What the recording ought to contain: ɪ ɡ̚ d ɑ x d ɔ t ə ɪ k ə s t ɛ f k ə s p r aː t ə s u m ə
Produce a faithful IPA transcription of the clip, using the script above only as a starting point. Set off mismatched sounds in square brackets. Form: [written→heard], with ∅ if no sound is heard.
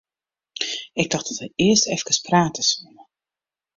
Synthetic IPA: ɪ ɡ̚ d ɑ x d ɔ t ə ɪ [k→∅] ə s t ɛ f k ə s p r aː t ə s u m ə